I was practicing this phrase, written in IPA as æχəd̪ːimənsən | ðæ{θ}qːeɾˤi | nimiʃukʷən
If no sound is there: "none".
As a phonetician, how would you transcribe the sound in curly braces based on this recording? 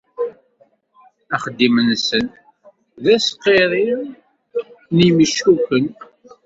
s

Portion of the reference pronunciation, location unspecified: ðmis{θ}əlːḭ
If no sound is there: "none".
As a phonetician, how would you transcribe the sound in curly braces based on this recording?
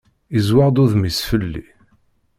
f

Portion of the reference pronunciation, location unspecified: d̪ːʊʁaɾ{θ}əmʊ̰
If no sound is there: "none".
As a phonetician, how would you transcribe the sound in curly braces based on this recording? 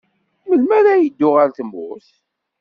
θ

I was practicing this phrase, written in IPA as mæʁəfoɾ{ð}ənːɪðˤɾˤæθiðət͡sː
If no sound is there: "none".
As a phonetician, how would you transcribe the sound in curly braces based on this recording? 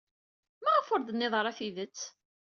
ð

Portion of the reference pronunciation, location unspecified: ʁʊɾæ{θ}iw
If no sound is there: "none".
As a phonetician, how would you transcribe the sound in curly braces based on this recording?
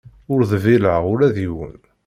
ð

